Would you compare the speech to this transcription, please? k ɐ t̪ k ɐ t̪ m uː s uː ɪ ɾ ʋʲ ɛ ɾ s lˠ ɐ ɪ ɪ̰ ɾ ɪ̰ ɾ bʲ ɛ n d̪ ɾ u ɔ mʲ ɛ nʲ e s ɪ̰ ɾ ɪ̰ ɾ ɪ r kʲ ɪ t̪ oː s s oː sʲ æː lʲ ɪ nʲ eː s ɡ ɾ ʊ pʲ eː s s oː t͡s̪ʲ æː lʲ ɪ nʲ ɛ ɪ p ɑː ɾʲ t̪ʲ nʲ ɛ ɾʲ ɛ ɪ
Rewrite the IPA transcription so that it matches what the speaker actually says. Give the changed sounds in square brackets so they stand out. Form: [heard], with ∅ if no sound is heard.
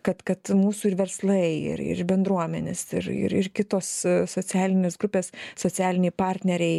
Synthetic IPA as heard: k ɐ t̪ k ɐ t̪ m uː s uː ɪ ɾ ʋʲ ɛ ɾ s lˠ ɐ ɪ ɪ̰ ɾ ɪ̰ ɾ bʲ ɛ n d̪ ɾ u ɔ mʲ ɛ nʲ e s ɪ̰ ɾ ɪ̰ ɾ ɪ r kʲ ɪ t̪ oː s s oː [t͡sʲ] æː lʲ ɪ nʲ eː s ɡ ɾ ʊ pʲ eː s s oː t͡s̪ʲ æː lʲ ɪ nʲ ɛ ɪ p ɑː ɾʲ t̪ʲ nʲ ɛ ɾʲ ɛ ɪ